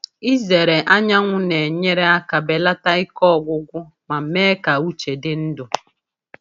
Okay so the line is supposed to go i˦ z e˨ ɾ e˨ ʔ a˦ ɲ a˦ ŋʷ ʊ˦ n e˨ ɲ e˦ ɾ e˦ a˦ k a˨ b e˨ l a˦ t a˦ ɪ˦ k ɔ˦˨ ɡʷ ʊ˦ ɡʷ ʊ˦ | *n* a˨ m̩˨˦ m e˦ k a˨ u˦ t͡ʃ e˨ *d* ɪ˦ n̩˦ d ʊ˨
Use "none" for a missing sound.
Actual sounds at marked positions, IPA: m, d

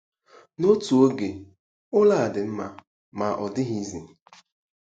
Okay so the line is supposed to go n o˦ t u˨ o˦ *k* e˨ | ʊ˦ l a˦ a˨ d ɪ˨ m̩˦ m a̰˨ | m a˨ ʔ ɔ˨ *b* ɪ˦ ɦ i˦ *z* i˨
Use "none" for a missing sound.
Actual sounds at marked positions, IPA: ɡ, d, z

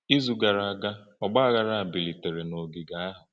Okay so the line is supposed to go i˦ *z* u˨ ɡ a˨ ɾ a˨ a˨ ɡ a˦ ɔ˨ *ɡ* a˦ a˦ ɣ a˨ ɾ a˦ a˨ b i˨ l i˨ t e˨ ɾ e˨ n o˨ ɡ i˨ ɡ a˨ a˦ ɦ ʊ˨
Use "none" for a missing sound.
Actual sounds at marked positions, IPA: z, ɡ͡b

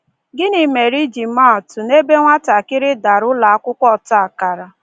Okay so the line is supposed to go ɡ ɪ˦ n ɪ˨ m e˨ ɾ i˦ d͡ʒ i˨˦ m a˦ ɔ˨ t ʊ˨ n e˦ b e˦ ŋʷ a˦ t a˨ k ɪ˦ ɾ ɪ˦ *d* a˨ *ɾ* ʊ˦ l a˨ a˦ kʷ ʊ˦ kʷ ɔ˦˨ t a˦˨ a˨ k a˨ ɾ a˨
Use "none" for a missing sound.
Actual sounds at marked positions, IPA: d, ɾ

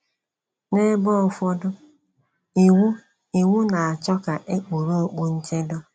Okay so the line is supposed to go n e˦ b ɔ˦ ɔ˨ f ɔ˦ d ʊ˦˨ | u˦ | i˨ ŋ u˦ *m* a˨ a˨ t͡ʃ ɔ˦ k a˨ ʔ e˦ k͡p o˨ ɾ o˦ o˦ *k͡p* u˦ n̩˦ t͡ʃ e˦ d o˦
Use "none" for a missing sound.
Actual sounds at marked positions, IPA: n, k͡p

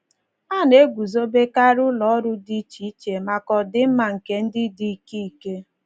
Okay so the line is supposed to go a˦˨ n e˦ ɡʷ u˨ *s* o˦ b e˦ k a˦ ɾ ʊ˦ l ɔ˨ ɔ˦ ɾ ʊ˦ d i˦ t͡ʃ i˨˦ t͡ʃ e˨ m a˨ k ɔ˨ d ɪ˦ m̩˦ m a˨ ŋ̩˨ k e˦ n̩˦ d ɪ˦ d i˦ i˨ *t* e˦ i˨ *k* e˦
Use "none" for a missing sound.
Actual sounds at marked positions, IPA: z, k, k

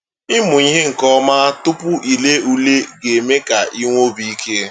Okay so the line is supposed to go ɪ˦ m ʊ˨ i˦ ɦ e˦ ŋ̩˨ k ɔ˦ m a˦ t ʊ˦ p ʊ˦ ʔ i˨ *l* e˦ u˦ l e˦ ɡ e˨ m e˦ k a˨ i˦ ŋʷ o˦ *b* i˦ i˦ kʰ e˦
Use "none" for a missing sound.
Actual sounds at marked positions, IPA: l, b

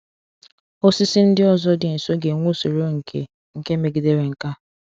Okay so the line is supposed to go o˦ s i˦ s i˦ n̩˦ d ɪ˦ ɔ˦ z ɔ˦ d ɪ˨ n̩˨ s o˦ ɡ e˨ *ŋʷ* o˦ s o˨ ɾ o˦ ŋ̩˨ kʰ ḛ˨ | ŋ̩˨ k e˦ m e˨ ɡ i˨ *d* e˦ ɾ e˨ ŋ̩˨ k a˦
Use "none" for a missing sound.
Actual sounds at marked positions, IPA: ŋʷ, d

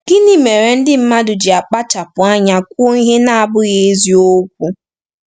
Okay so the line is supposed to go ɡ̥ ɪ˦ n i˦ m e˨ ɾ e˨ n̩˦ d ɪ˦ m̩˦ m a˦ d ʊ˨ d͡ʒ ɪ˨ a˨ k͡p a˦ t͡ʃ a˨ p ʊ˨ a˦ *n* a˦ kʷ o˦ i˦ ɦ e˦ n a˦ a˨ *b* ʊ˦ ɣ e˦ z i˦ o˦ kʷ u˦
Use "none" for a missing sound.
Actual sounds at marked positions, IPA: ɲ, b

